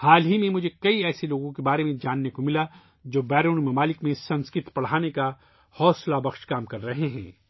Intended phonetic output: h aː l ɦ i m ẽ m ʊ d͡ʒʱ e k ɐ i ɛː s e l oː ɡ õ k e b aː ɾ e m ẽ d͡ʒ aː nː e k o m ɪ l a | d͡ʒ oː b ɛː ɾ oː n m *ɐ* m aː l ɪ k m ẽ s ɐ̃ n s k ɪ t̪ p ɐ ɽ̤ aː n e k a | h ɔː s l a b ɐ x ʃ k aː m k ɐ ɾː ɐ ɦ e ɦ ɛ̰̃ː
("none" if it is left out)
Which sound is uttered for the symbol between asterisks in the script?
ɐ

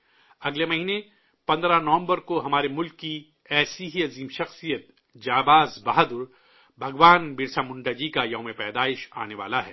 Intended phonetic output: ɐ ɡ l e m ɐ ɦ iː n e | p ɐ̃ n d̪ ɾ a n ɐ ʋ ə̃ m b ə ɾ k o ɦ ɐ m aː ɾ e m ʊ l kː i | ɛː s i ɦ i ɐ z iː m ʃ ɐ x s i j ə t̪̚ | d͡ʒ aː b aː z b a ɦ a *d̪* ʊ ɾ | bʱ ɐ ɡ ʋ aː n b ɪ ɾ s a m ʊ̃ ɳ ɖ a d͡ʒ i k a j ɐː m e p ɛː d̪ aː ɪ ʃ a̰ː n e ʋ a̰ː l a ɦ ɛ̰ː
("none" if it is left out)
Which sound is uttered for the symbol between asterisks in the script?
d̪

